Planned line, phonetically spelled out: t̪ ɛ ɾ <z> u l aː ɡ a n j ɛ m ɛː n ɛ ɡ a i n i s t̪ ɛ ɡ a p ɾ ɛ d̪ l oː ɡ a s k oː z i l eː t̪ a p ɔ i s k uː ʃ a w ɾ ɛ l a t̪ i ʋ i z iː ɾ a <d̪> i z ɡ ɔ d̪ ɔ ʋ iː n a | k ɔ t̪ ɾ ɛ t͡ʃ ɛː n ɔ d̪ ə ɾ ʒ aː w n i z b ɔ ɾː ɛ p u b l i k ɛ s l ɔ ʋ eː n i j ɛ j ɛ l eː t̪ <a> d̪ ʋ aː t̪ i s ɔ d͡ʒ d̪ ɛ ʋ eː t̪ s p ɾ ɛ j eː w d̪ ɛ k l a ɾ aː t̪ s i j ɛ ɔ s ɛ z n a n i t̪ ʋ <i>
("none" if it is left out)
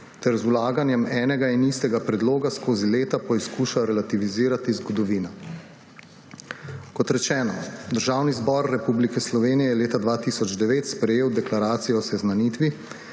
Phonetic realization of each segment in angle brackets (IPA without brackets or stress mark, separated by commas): z, t̪, a, i